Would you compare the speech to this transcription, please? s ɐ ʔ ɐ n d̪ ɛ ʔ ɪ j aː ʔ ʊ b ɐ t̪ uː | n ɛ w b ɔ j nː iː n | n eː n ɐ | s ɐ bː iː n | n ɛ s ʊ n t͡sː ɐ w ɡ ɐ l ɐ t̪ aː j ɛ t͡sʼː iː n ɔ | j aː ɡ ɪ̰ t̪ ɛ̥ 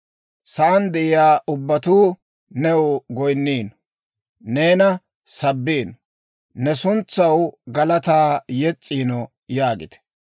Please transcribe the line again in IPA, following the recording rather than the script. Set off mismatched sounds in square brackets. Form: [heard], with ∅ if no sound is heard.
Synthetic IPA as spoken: s ɐ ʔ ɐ n d̪ ɛ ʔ ɪ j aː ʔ ʊ [bː] ɐ t̪ uː | n ɛ w [ɡ] ɔ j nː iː n | n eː n ɐ | s ɐ bː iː n | n ɛ s ʊ n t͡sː ɐ w ɡ ɐ l ɐ t̪ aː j ɛ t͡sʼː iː n ɔ | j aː ɡ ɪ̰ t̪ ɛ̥